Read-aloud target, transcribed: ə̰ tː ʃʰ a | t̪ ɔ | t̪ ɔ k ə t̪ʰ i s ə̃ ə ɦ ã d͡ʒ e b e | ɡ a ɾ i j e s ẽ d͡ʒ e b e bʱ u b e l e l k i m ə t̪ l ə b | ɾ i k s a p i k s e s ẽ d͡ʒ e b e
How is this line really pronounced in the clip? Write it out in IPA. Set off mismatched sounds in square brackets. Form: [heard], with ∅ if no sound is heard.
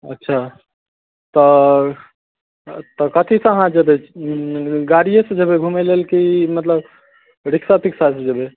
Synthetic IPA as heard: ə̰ tː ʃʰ a | t̪ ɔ | t̪ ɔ k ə t̪ʰ i s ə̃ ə ɦ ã d͡ʒ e b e | ɡ a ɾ i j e s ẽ d͡ʒ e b e [ɡʱ] u [m] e l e l k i m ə t̪ l ə b | ɾ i k s a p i k s [a] s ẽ d͡ʒ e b e